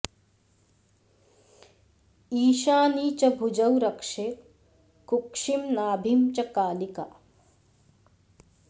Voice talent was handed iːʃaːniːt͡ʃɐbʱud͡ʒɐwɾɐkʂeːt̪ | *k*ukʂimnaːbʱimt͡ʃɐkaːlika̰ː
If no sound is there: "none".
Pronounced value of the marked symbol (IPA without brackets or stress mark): k